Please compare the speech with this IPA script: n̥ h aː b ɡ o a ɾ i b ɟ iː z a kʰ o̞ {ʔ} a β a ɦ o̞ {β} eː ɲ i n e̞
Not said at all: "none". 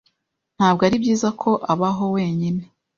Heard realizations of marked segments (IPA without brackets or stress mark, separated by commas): ʔ, w